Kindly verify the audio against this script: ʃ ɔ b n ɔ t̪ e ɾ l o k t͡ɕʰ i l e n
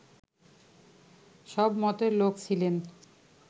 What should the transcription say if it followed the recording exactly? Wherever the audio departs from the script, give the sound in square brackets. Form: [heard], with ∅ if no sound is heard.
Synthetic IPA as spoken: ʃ ɔ b [m] ɔ t̪ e ɾ l o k t͡ɕʰ i l e n